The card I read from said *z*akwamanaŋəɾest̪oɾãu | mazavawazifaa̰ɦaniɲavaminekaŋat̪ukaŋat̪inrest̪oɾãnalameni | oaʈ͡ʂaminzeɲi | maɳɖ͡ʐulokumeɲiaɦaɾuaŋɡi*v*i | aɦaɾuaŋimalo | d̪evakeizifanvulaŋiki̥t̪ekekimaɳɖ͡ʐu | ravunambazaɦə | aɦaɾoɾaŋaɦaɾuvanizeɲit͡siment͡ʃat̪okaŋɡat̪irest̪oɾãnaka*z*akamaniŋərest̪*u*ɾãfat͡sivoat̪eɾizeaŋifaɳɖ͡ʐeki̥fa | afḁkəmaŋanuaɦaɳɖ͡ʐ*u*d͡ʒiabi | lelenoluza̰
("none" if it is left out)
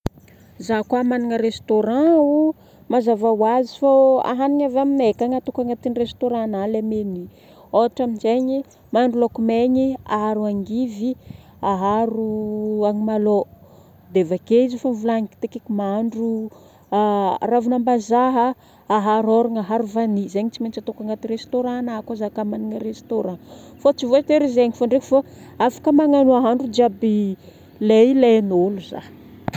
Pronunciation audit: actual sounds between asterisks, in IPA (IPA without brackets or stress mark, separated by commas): z, v, z, o, u